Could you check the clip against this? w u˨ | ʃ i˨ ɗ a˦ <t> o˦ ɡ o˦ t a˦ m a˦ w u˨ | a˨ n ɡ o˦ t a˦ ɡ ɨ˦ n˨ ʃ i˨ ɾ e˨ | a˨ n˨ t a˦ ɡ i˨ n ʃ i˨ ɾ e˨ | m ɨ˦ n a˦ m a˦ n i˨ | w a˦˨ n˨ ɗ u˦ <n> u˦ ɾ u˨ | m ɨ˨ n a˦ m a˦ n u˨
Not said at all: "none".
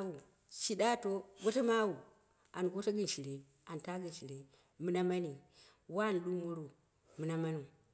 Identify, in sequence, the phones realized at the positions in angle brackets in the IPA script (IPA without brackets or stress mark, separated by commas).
t, m